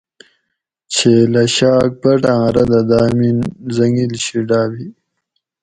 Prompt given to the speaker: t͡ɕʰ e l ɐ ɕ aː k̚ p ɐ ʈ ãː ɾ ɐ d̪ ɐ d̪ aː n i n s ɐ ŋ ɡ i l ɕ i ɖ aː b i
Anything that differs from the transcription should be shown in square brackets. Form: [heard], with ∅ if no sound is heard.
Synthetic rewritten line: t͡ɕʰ e l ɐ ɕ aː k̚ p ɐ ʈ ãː ɾ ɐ d̪ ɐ d̪ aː [m] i n [z] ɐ ŋ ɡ i l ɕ i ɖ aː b i